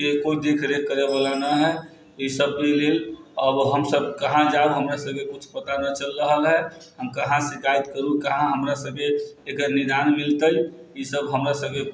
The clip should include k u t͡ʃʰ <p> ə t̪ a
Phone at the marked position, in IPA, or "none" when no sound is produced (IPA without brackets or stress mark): p